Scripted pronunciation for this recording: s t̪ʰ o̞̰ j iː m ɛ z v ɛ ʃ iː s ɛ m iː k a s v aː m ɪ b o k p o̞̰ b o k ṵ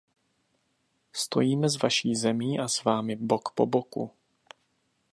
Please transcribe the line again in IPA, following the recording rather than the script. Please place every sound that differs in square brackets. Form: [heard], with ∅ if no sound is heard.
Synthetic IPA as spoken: s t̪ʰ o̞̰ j iː m ɛ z v [a] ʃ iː [z] ɛ m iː [ʔ] a s v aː m ɪ b o k p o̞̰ b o k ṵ